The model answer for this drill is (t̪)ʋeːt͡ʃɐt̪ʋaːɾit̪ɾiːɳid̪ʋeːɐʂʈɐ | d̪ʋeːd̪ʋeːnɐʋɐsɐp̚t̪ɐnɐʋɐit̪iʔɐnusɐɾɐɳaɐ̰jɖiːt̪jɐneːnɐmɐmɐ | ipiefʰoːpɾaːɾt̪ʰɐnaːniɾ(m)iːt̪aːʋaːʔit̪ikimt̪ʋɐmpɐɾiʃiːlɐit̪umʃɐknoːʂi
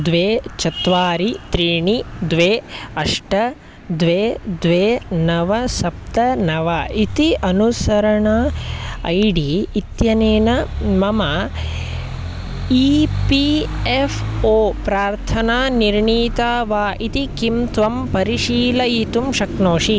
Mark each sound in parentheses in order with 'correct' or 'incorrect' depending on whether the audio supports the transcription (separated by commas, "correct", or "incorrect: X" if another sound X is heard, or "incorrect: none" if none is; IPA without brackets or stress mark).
incorrect: d̪, incorrect: ɳ